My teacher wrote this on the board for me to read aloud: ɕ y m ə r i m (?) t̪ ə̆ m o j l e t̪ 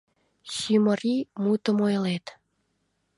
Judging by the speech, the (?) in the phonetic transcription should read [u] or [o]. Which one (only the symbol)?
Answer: u